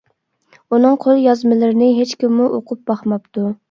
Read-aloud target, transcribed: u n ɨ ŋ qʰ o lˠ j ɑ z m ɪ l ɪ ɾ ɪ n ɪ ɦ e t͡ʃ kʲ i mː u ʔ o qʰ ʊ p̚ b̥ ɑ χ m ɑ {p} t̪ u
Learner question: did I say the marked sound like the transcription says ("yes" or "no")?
yes